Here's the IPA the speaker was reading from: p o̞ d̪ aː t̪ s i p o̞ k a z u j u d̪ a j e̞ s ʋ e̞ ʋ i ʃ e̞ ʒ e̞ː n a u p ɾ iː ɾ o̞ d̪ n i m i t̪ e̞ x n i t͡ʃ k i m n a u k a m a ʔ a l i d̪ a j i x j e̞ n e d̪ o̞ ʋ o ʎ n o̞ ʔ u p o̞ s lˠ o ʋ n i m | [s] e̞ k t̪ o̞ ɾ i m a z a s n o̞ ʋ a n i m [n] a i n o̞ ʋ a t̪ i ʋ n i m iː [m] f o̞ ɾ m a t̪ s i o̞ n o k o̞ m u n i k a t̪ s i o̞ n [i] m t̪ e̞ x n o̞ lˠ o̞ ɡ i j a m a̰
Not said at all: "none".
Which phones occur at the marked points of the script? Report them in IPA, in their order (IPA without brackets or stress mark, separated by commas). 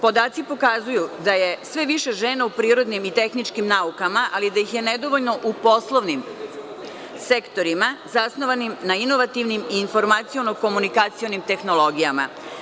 s, n, n, i